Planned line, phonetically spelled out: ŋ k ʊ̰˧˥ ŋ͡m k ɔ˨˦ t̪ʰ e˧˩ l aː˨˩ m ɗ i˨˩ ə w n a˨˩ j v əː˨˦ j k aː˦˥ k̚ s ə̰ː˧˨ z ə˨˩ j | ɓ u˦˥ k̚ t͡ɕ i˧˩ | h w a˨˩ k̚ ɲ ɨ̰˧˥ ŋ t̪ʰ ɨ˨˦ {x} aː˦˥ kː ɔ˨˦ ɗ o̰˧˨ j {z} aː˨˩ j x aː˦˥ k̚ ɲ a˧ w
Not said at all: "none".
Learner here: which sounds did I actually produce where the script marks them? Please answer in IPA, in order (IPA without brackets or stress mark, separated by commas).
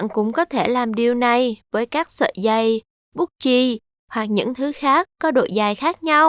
x, z